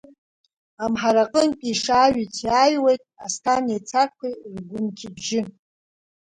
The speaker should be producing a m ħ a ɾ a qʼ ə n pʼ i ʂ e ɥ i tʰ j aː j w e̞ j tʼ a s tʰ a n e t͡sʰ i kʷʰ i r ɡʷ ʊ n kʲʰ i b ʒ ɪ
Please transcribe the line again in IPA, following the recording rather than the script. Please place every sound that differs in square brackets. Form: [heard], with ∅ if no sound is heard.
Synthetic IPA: a m ħ a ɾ a qʼ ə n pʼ i ʂ [a] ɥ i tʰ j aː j w e̞ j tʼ a s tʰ a n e t͡sʰ [a] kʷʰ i r ɡʷ ʊ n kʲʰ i b ʒ ɪ